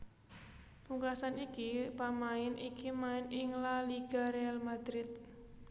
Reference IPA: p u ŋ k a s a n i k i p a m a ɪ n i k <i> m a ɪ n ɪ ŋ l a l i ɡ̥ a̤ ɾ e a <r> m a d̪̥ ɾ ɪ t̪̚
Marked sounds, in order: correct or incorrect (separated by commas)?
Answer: correct, incorrect